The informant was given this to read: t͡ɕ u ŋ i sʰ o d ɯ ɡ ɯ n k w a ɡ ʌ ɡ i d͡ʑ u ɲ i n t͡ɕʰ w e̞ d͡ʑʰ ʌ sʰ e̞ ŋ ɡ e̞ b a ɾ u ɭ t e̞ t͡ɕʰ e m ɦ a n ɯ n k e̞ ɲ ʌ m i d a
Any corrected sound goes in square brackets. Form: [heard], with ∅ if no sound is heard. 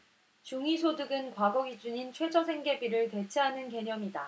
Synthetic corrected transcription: t͡ɕ u ŋ i sʰ o d ɯ ɡ ɯ n k w a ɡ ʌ ɡ i d͡ʑ u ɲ i n t͡ɕʰ w e̞ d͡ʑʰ ʌ sʰ e̞ ŋ ɡ e̞ b [i] ɾ [ɯ] ɭ t e̞ t͡ɕʰ e [∅] ɦ a n ɯ n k e̞ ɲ ʌ m i d a